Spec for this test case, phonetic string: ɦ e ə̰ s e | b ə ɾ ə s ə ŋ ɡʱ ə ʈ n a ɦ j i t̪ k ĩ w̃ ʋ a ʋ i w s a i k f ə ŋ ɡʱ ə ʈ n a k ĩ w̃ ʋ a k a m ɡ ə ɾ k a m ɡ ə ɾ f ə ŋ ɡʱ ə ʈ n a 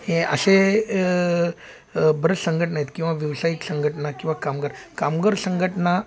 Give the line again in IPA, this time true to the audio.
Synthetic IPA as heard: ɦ e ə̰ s e | b ə ɾ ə s ə ŋ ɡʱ ə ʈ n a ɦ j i t̪ k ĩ w̃ ʋ a ʋ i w s a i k s ə ŋ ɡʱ ə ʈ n a k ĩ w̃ ʋ a k a m ɡ ə ɾ k a m ɡ ə ɾ s ə ŋ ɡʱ ə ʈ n a